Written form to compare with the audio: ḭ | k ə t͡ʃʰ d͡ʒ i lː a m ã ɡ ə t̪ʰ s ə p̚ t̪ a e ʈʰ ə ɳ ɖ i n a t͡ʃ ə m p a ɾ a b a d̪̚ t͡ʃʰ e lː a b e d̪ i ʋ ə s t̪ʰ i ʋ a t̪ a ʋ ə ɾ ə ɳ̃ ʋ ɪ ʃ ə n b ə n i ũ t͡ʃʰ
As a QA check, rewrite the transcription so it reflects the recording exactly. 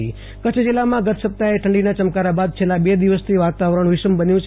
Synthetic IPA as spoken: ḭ | k ə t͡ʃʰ d͡ʒ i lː a m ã ɡ ə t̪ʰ s ə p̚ t̪ a e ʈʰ ə ɳ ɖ i n a t͡ʃ ə m k a ɾ a b a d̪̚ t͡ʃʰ e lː a b e d̪ i ʋ ə s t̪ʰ i ʋ a t̪ a ʋ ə ɾ ə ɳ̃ ʋ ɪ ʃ ə m b ə n j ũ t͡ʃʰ